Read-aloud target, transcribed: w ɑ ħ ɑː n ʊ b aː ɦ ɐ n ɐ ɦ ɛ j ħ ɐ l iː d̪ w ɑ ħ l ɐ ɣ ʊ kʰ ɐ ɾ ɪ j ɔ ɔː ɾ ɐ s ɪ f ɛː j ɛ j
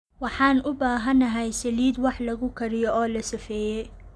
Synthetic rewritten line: w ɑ ħ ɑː n ʊ b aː ɦ ɐ n ɐ ɦ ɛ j s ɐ l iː d̪ w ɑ ħ l ɐ ɣ ʊ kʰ ɐ ɾ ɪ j ɔ ɔː l ɐ s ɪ f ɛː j ɛ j